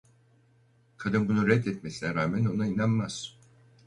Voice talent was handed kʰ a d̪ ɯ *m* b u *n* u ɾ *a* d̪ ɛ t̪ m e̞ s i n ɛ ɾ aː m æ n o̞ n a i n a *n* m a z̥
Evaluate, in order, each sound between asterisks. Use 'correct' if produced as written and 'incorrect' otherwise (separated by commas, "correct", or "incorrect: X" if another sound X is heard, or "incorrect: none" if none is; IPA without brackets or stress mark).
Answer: incorrect: n, correct, incorrect: ɛ, correct